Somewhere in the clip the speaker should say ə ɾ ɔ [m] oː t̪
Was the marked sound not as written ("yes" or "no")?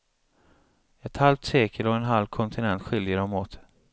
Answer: no